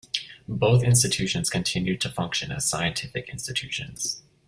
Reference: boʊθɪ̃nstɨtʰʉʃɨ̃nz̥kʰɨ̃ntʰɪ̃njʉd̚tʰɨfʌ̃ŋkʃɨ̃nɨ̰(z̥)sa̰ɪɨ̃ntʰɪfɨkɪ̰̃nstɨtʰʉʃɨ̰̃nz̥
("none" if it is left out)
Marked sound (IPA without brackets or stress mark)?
z̥